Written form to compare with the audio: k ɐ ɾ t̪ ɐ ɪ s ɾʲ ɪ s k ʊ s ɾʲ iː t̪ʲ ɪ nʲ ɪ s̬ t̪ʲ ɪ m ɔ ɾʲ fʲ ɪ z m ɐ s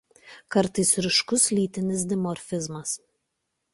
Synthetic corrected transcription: k ɐ ɾ t̪ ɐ ɪ s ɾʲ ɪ ʃ k ʊ s lʲ iː t̪ʲ ɪ nʲ ɪ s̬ d̪ʲ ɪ m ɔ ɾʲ fʲ ɪ z m ɐ s